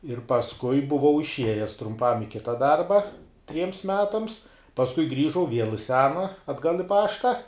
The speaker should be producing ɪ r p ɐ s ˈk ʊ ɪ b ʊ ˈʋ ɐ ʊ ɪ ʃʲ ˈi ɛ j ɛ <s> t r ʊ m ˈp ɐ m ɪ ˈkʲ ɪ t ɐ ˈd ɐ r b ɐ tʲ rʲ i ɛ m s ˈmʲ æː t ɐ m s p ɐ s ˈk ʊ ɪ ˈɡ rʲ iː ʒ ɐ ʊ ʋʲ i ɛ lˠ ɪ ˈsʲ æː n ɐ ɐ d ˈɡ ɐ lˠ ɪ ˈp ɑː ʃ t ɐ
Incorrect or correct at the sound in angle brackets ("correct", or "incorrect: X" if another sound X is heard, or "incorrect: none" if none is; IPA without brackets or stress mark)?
correct